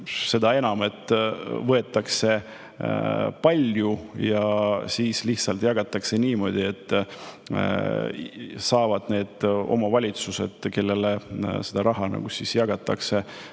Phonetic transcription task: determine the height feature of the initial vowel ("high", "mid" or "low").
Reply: mid